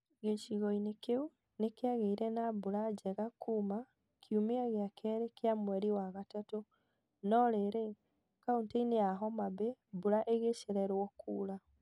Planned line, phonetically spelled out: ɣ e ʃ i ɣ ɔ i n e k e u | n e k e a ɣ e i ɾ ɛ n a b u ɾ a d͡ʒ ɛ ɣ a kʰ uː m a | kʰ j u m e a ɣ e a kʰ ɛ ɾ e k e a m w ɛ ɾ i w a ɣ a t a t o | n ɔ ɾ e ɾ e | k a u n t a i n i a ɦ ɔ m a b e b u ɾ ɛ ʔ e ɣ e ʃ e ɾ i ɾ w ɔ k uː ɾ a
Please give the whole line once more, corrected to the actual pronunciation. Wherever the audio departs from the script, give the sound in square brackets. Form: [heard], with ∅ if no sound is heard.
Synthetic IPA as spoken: ɣ e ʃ i ɣ ɔ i n e k e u | n e k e a ɣ e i ɾ ɛ n a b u ɾ a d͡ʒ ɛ ɣ a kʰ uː m a | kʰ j u m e a ɣ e a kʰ ɛ ɾ e k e a m w ɛ ɾ i w a ɣ a t a t o | n ɔ ɾ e ɾ e | k a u n t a i n [e] a ɦ ɔ m a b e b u ɾ [a] ʔ e ɣ e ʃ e ɾ [ɛ] ɾ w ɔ k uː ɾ a

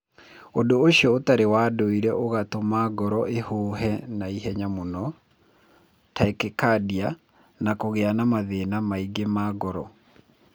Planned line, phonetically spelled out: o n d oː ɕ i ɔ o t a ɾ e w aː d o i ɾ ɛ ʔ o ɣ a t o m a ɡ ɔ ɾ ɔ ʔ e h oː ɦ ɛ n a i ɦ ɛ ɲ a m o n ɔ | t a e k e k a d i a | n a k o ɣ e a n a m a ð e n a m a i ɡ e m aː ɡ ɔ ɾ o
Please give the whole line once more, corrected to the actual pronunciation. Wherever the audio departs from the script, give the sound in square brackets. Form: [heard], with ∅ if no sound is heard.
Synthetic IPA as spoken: o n d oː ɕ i ɔ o t a ɾ e w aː d o i ɾ ɛ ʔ o ɣ a t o m a ɡ ɔ ɾ ɔ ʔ e h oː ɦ ɛ n a i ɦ ɛ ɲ a m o n ɔ | t a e k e k a d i a | n a k o ɣ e a n a m a ð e n a m a i ɡ e m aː ɡ ɔ ɾ [ɔ]

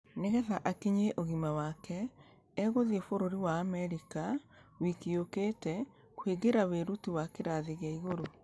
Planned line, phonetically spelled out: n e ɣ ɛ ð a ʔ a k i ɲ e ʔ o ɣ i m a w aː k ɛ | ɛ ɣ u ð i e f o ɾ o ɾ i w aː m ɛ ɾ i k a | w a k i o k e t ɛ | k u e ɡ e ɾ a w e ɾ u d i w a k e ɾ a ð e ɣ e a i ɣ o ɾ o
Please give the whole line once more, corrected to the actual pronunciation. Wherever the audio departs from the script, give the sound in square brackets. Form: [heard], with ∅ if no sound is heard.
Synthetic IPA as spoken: n e ɣ ɛ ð a ʔ a k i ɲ e ʔ o ɣ i m a w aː k ɛ | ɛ ɣ [o] ð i e f o ɾ o ɾ i w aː m ɛ ɾ i k a | w [i] k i o k e t ɛ | k [w] e ɡ e ɾ a w e ɾ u [t] i w a k e ɾ a ð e ɣ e a i ɣ o ɾ o

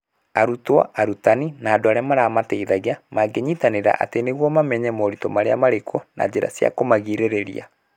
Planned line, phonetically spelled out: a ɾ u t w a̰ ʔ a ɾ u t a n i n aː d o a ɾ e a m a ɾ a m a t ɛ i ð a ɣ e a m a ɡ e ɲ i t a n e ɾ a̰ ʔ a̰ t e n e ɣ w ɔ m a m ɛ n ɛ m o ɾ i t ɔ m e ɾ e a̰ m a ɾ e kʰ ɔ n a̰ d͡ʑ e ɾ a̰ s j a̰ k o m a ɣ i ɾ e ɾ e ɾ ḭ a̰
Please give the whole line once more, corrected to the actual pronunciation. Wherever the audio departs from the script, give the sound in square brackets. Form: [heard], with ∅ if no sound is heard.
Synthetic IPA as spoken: a ɾ u t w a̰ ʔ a ɾ u t a n i n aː d o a ɾ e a m a ɾ a m a t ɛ i ð a ɣ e a m a ɡ e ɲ i t a n e ɾ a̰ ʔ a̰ t e n e ɣ w ɔ m a m ɛ [ɲ] ɛ m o ɾ i t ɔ m [a] ɾ e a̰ m a ɾ e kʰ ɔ n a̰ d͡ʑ e ɾ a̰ s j a̰ k o m a ɣ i ɾ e ɾ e ɾ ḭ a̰

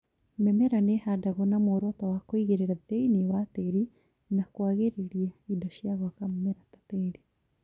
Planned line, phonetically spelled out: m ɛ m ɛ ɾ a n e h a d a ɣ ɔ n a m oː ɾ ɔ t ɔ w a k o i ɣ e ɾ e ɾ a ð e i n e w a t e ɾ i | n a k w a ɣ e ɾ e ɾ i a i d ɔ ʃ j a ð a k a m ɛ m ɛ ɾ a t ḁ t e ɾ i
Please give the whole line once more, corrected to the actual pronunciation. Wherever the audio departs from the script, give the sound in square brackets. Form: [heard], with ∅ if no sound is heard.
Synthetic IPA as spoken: m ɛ m ɛ ɾ a n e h a d a ɣ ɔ n a m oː ɾ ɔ t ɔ w a k o i ɣ e ɾ e ɾ a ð e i n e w a t e ɾ i | n a k w a ɣ e ɾ e ɾ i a i d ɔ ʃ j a [ɣ] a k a m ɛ m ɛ ɾ a t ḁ t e ɾ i

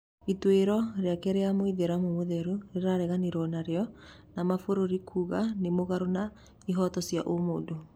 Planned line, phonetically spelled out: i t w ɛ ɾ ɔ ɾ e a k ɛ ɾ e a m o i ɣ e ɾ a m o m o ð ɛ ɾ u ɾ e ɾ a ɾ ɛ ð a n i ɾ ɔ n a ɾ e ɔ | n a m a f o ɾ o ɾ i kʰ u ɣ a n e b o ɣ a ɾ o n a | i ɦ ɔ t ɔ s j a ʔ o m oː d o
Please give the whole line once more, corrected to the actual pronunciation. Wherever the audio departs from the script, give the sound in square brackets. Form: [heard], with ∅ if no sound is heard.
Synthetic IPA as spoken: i t w [e] ɾ ɔ ɾ e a k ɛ ɾ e a m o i [ð] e ɾ a m o m o ð ɛ ɾ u ɾ e ɾ a ɾ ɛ [ɣ] a n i ɾ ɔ n a ɾ e ɔ | n a m a f o ɾ o ɾ i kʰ u ɣ a n e [m] o ɣ a ɾ o n a | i ɦ ɔ t ɔ s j a ʔ o m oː d o

